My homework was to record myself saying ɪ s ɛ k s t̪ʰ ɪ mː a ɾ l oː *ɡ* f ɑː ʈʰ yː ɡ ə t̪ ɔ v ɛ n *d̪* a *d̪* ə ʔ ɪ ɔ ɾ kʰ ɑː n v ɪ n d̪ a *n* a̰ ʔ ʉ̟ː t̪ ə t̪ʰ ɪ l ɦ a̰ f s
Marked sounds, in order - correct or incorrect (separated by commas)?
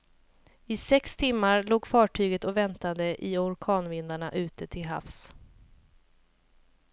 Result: correct, incorrect, correct, incorrect